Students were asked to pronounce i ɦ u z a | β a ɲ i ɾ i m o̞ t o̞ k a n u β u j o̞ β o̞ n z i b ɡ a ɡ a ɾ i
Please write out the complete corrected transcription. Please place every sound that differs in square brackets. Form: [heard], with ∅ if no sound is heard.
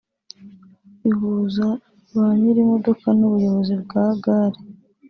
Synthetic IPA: i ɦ u z a | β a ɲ i ɾ i m o̞ [d] o̞ k a n u β u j o̞ β o̞ [∅] z i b ɡ a ɡ a ɾ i